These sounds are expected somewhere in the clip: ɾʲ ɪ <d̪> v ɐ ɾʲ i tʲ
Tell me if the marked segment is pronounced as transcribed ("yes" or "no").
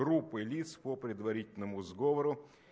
yes